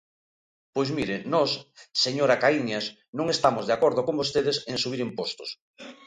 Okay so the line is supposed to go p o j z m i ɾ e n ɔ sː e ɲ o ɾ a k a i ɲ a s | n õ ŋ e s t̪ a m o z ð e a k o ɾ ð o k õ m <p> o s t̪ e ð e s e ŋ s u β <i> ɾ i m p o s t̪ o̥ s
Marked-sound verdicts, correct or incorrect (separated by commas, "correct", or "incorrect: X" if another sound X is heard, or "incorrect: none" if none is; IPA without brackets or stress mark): incorrect: b, correct